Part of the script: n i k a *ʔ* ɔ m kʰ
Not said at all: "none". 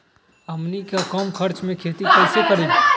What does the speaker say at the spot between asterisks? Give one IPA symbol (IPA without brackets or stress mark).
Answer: k